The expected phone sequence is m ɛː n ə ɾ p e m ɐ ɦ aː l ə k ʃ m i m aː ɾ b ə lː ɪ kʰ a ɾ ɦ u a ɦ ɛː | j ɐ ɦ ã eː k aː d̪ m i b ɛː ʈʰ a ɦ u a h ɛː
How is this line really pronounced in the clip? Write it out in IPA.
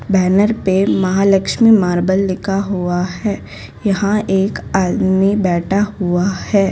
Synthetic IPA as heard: b ɛː n ə ɾ p e m ɐ ɦ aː l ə k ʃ m i m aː ɾ b ə lː ɪ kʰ a ɦ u a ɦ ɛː | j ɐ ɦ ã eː k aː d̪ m i b ɛː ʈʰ a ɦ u a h ɛː